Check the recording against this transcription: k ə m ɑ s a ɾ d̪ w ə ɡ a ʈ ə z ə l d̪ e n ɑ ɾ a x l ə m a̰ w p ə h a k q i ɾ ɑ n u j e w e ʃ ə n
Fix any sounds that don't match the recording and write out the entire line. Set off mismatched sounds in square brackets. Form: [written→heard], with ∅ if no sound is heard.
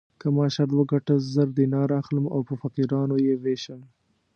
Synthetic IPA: k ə m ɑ [s→ʃ] a ɾ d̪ w ə ɡ a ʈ ə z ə [l→ɾ] d̪ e n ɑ ɾ a x l ə m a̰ w p ə [h→f] a [k→∅] q i ɾ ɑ n [u→o] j e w e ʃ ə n